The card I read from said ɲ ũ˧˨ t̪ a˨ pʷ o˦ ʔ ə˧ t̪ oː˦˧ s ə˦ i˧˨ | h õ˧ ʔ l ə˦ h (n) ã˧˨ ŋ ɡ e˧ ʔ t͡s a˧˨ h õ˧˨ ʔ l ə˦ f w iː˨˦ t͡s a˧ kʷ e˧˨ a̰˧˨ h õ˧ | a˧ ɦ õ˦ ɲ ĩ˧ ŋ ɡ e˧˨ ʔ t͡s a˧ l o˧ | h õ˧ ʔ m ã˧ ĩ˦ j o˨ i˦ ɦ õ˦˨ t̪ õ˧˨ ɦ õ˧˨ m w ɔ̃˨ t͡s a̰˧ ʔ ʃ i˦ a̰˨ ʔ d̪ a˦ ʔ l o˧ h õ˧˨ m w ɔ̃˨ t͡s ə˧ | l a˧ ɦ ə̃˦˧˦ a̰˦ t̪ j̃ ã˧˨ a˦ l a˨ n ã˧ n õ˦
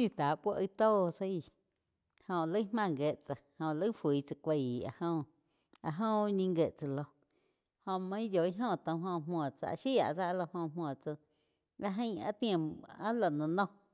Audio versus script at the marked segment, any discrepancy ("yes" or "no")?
yes